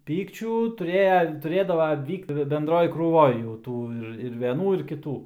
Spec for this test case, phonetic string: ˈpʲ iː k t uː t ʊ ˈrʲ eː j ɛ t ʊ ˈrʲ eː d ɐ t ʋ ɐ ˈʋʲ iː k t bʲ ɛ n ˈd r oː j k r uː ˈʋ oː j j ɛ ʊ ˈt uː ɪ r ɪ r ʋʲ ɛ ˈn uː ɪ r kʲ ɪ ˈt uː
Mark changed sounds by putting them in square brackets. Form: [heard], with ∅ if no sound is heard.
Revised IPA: ˈpʲ iː k [t͡ʃʲ] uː t ʊ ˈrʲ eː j ɛ t ʊ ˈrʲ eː d ɐ [∅] ʋ ɐ ˈʋʲ iː k t bʲ ɛ n ˈd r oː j k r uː ˈʋ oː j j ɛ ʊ ˈt uː ɪ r ɪ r ʋʲ ɛ ˈn uː ɪ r kʲ ɪ ˈt uː